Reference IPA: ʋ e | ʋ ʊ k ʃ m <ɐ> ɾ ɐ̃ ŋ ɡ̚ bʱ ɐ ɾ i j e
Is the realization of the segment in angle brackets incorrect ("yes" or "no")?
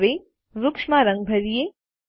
yes